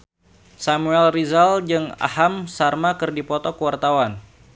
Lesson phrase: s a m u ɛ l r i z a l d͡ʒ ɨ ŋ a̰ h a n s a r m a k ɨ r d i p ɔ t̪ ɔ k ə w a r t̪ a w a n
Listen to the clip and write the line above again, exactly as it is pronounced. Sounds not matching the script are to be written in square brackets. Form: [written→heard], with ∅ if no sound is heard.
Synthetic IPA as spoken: s a m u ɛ l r i z a l d͡ʒ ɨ ŋ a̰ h a [n→m] s a r m a k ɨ r d i p ɔ t̪ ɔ k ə w a r t̪ a w a n